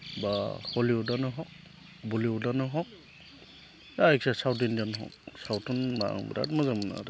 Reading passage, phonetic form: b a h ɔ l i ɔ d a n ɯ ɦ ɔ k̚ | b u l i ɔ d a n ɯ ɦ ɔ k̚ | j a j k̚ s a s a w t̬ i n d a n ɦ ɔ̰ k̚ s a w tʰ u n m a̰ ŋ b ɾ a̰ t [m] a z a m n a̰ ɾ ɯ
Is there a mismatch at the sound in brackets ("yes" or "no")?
no